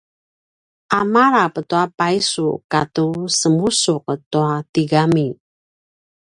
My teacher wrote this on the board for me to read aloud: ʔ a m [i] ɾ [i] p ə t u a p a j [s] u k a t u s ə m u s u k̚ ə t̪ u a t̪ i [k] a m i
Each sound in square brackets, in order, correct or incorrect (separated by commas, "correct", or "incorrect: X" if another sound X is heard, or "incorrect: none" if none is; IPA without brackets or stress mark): incorrect: a, incorrect: a, correct, incorrect: ɡ